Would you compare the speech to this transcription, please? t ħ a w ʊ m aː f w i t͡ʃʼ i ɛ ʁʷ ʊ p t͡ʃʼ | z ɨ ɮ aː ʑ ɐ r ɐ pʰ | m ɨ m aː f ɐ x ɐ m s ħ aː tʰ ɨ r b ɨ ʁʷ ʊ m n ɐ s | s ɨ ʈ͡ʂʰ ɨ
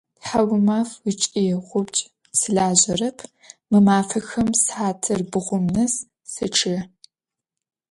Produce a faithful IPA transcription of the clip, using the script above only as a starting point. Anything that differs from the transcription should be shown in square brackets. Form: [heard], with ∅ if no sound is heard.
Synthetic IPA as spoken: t ħ a w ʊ m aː f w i t͡ʃʼ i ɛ ʁʷ ʊ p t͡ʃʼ | [s] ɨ ɮ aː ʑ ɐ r ɐ pʰ | m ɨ m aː f ɐ x ɐ m s ħ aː tʰ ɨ r b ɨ ʁʷ ʊ m n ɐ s | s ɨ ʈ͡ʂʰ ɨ